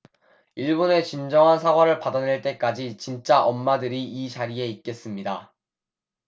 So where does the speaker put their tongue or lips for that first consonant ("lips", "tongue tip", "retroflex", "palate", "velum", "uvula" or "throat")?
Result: retroflex